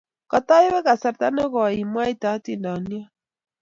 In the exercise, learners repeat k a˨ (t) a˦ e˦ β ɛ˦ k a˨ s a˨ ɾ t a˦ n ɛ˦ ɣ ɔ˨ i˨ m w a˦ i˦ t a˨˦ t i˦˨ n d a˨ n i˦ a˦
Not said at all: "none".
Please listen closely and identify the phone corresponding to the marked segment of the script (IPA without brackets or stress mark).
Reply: t